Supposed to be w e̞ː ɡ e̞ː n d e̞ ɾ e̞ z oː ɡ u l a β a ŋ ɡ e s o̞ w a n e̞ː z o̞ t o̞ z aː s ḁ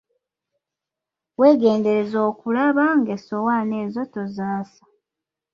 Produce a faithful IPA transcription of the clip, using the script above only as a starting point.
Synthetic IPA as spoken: w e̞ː ɡ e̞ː n d e̞ ɾ e̞ z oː k u l a β a ŋ ɡ e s o̞ w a n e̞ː z o̞ t o̞ z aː s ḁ

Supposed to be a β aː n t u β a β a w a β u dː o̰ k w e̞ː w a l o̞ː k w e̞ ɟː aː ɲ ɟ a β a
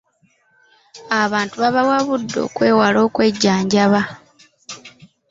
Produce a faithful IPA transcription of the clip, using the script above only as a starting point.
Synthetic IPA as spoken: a β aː n t u β a β a w a β u dː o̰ k w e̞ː w a l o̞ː k w e̞ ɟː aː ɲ ɟ a β a

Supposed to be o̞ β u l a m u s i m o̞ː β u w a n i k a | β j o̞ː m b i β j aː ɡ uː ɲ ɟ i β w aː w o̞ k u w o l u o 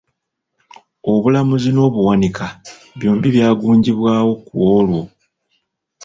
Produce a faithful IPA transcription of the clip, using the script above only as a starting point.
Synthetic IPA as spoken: o̞ β u l a m u z i n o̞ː β u w a n i k a | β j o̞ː m b i β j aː ɡ uː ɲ ɟ i β w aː w o̞ k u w o l w o

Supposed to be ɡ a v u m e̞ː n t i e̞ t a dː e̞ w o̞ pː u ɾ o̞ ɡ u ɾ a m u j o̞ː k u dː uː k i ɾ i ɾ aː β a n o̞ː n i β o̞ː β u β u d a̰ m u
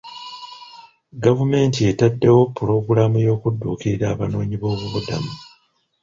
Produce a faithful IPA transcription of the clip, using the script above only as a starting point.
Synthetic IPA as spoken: ɡ a v u m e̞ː n t i e̞ t a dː e̞ w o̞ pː u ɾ o̞ ɡ u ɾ a m u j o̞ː k u dː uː k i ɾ i ɾ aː β a n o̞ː ɲ i β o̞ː β u β u d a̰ m u

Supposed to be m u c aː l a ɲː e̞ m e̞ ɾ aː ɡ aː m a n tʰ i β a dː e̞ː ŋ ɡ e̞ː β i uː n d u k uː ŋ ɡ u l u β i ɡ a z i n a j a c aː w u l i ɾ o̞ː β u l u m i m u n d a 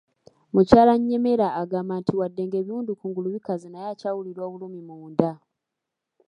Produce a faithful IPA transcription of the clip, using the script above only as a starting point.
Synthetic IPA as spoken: m u c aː l a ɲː e̞ m e̞ ɾ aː ɡ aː m a n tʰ i w a dː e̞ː ŋ ɡ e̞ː β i uː n d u k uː ŋ ɡ u l u β i k a z i n a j a c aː w u l i ɾ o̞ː β u l u m i m uː n d a

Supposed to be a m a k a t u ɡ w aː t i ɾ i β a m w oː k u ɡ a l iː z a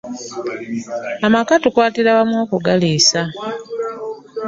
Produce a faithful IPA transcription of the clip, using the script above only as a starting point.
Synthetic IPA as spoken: a m a k a t u k w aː t i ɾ a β a m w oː k u ɡ a l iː s a

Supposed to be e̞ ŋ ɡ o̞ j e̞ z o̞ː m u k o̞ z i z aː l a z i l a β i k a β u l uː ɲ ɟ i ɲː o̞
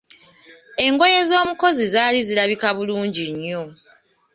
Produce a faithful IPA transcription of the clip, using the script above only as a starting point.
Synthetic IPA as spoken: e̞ ŋ ɡ o̞ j e̞ z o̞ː m u k o̞ z i z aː l i z i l a β i k a β u l uː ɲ ɟ i ɲː o̞

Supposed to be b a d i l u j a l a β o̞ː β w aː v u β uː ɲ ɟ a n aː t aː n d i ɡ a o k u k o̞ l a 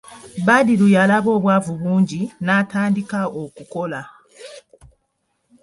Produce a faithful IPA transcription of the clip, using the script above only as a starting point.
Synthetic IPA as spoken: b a d i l u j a l a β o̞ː β w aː v u β uː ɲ ɟ i n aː t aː n d i k a o k u k o̞ l a

